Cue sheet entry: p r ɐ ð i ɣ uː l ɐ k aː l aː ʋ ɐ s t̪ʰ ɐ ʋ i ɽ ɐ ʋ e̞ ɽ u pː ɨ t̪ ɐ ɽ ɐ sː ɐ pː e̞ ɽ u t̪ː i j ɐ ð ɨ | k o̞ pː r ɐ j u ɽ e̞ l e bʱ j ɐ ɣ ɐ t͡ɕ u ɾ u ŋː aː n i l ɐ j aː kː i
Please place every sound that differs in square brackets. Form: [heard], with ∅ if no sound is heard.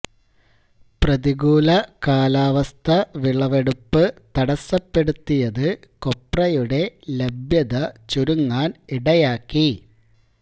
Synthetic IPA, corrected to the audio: p r ɐ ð i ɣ uː l ɐ k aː l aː ʋ ɐ s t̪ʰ ɐ ʋ i [ɭ] ɐ ʋ e̞ ɽ u pː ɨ t̪ ɐ ɽ ɐ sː ɐ pː e̞ ɽ u t̪ː i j ɐ ð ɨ | k o̞ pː r ɐ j u ɽ e̞ l e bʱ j ɐ [ð] ɐ t͡ɕ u ɾ u ŋː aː n i [ɽ] ɐ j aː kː i

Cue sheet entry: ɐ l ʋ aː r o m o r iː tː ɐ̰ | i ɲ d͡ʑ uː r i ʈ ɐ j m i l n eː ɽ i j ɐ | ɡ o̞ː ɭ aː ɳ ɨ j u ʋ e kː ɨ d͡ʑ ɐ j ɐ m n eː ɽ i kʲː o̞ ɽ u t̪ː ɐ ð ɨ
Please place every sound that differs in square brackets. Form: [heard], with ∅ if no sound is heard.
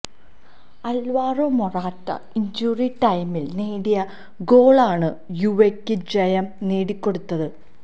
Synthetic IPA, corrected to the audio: ɐ l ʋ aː r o m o r [aː] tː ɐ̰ | i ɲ d͡ʑ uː r i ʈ ɐ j m i l n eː ɽ i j ɐ | ɡ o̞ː ɭ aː ɳ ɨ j u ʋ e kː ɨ d͡ʑ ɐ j ɐ m n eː ɽ i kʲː o̞ ɽ u t̪ː ɐ ð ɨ

